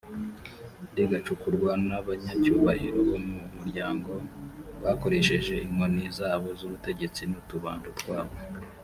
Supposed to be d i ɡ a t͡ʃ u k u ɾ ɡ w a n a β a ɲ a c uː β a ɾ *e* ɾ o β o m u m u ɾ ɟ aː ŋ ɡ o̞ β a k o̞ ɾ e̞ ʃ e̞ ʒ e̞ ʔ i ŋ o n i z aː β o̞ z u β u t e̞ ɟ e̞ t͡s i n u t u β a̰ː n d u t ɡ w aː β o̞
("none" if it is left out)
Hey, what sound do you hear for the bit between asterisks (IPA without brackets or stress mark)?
i